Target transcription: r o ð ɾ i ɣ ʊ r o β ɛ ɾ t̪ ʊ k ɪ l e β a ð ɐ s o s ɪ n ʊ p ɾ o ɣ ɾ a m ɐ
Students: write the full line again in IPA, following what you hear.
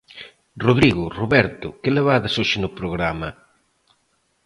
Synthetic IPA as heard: r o ð ɾ i ɣ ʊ r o β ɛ ɾ t̪ ʊ k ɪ l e β a ð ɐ s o ʃ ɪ n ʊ p ɾ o ɣ ɾ a m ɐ

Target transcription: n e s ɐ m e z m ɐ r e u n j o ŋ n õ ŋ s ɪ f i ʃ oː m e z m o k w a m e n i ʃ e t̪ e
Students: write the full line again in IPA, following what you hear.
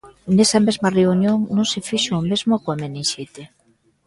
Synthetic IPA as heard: n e s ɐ m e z m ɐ r e u n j o ŋ n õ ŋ s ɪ f i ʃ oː m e z m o k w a m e n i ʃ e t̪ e

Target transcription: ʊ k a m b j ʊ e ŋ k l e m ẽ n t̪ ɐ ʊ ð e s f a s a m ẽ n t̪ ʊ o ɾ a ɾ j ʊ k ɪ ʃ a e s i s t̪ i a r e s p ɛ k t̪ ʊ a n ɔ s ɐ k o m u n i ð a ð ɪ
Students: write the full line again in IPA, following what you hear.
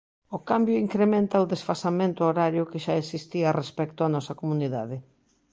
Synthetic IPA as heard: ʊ k a m b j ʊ i ŋ k ɾ e m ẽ n t̪ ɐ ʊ ð e s f a s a m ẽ n t̪ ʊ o ɾ a ɾ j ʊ k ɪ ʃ a e s i s t̪ i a r e s p ɛ k t̪ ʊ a n ɔ s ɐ k o m u n i ð a ð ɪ

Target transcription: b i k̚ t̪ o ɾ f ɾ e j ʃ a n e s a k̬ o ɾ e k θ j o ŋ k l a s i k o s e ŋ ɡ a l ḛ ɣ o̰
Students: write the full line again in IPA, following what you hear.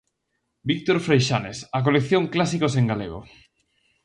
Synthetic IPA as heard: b i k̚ t̪ o ɾ f ɾ e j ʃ a n e s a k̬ o l e k θ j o ŋ k l a s i k o s e ŋ ɡ a l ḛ ɣ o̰

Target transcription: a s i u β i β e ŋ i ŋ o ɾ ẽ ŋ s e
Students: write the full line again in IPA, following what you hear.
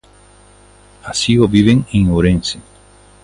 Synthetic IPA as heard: a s i o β i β e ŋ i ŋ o ɾ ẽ n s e

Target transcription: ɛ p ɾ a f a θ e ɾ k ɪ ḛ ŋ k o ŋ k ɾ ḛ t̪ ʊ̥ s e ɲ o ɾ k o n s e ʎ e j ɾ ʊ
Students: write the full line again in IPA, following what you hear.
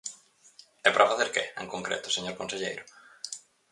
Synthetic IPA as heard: ɛ p ɾ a f a θ e ɾ k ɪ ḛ ŋ k o ŋ k ɾ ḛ t̪ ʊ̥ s e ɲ o ɾ k o n s e ʎ e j ɾ ʊ

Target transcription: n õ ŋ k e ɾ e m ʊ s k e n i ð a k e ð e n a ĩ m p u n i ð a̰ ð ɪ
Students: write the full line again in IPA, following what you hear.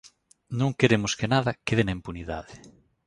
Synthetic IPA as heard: n õ ŋ k e ɾ e m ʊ s k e n a ð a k e ð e n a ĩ m p u n i ð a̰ ð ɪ

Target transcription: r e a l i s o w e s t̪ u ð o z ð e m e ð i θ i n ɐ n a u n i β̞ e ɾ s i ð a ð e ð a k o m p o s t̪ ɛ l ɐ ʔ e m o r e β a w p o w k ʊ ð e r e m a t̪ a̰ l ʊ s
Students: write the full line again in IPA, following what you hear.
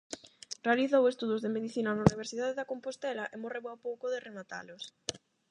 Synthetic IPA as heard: r e a l i θ o w e s t̪ u ð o z ð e m e ð i θ i n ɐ n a u n i β̞ e ɾ s i ð a ð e ð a k o m p o s t̪ ɛ l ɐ ʔ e m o r e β a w p o w k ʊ ð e r e m a t̪ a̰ l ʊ s

